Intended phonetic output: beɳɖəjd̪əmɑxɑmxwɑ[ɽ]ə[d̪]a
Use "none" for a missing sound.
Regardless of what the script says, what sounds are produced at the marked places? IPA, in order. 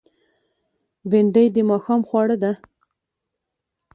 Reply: ɽ, d̪

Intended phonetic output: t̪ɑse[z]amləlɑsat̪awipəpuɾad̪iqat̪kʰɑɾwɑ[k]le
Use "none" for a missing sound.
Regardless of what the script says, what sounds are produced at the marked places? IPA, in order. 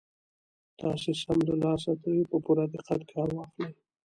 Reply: s, x

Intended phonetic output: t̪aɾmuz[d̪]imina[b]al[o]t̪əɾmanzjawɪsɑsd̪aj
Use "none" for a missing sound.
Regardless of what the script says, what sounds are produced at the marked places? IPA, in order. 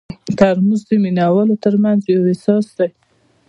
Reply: d̪, w, o

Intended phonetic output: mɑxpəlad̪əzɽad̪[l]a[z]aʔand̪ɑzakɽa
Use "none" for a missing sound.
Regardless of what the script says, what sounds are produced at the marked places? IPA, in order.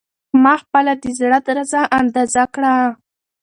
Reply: ɾ, z

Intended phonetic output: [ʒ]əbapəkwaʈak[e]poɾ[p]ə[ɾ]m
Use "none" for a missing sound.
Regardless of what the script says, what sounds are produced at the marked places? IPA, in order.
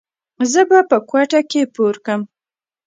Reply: z, e, k, none

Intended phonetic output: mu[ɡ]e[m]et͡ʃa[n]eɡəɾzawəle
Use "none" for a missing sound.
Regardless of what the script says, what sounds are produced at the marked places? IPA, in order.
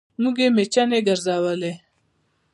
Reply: ɡ, m, n

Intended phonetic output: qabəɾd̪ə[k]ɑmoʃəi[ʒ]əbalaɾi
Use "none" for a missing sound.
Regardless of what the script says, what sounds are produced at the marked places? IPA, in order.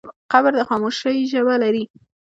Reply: x, ʒ

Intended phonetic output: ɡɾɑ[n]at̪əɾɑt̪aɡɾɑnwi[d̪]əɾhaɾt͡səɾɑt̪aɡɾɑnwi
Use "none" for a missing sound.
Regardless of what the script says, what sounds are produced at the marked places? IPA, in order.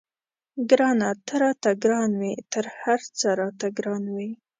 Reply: n, t̪

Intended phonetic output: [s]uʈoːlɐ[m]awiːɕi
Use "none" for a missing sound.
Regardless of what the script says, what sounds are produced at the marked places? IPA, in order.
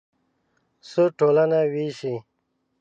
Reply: s, n

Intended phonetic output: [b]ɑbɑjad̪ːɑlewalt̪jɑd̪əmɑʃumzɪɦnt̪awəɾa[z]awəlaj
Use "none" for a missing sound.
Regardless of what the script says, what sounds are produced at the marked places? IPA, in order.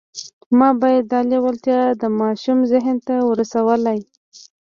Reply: m, s

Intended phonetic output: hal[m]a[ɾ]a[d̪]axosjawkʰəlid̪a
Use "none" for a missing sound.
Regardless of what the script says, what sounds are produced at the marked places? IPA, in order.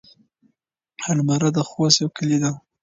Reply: m, ɾ, d̪

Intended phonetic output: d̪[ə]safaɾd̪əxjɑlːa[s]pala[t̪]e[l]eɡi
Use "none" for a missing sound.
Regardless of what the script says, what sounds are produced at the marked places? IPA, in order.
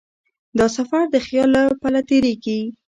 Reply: ɑ, none, t̪, ɾ

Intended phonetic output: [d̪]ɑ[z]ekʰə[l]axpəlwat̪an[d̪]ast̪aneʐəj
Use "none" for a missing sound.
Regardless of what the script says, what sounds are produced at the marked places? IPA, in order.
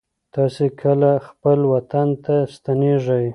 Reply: t̪, s, l, t̪

